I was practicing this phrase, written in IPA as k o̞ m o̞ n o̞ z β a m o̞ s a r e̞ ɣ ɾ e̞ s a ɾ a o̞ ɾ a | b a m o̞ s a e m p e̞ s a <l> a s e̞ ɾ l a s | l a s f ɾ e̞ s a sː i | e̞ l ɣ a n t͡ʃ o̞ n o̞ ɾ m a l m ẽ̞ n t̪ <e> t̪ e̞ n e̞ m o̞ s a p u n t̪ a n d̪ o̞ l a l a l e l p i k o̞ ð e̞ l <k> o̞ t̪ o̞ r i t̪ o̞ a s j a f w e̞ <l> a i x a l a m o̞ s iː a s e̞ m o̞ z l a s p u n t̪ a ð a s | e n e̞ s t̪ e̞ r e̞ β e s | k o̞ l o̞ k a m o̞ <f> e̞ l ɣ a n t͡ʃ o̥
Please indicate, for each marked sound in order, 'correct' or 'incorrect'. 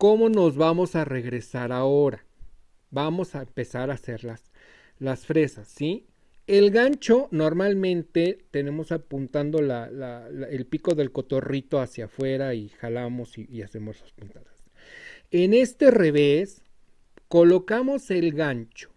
incorrect, correct, correct, incorrect, incorrect

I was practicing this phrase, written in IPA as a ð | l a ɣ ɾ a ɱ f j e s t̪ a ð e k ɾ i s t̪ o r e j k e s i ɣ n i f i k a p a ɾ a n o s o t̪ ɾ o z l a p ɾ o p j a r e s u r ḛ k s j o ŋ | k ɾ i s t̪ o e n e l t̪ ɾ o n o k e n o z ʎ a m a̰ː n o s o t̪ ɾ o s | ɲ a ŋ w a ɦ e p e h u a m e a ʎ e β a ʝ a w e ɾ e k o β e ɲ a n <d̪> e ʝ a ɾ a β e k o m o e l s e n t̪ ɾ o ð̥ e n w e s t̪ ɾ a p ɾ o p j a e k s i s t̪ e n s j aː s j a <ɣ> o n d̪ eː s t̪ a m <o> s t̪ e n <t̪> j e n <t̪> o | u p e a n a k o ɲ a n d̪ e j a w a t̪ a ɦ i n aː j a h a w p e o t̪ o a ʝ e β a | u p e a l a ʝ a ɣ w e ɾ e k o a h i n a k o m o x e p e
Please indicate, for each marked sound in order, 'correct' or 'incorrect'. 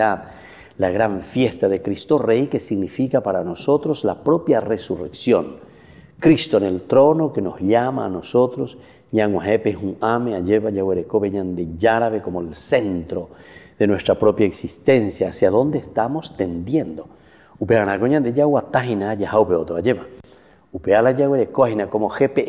correct, incorrect, correct, incorrect, incorrect

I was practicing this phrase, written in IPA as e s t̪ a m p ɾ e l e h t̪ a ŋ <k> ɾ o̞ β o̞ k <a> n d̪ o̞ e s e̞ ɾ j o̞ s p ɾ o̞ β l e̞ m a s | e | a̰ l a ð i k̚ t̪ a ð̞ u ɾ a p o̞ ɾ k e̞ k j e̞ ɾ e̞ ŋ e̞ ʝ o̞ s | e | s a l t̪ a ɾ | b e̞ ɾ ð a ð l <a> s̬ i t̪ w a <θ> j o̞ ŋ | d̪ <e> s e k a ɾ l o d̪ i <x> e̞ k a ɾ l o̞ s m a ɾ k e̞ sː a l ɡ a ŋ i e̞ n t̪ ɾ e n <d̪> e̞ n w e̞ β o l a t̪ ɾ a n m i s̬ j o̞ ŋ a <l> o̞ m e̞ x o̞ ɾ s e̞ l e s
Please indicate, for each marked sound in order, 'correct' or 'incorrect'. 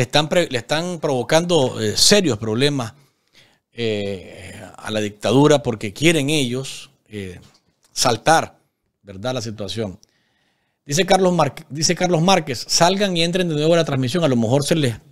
incorrect, correct, correct, incorrect, incorrect, incorrect, correct, correct

